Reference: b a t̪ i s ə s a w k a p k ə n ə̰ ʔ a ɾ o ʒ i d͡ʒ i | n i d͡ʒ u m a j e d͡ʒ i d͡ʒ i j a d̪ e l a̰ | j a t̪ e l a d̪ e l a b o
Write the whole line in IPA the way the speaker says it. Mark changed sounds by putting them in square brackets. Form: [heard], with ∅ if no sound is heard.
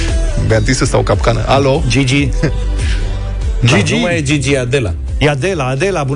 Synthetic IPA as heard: b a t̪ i s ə s a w k a p k [a] n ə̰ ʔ a [l] o [d͡ʒ] i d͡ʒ i | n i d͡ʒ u m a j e d͡ʒ i d͡ʒ i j a d̪ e l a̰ | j a [d̪] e l a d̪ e l a b [u]